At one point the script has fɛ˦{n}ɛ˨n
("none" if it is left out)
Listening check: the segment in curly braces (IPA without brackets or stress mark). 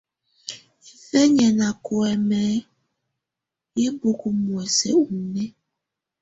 ɲ